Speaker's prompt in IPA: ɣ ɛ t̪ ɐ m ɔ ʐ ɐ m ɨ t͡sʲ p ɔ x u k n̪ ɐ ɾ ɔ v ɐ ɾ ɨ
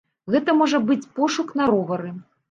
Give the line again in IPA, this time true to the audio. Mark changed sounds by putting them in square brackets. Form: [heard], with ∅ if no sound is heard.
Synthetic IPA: ɣ ɛ t̪ ɐ m ɔ ʐ ɐ [b] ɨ t͡sʲ p ɔ [ʂ] u k n̪ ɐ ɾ ɔ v ɐ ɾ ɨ